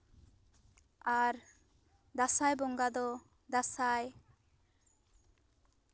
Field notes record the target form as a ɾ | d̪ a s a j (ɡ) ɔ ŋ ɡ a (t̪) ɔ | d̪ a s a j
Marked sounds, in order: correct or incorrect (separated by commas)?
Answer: incorrect, incorrect